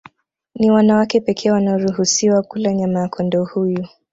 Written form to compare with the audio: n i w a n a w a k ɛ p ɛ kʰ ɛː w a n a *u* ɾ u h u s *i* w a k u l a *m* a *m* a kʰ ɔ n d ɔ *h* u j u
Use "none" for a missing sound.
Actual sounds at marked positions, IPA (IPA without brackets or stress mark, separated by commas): ɔ, i, ɲ, m, h